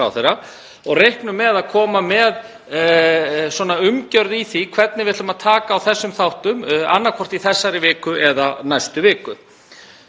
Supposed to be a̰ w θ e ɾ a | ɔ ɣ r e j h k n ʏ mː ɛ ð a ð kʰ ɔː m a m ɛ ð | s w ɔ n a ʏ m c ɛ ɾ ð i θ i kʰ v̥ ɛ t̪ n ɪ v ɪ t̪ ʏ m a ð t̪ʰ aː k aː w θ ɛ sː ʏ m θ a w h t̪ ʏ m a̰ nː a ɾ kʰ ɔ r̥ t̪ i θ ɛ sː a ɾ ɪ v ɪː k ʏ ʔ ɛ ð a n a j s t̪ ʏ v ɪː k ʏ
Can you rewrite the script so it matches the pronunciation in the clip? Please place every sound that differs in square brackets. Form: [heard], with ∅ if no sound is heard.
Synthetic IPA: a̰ w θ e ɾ a | ɔ ɣ r e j h k n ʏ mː ɛ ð a ð kʰ ɔː m a m ɛ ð | s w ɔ n a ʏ m c [œ] ɾ ð i θ i kʰ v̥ ɛ t̪ n ɪ v ɪ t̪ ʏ m a ð t̪ʰ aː k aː w θ ɛ sː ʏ m θ a w h t̪ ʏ m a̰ nː a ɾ kʰ ɔ r̥ t̪ i θ ɛ sː a ɾ ɪ v ɪː k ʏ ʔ ɛ ð a n a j s t̪ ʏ v ɪː k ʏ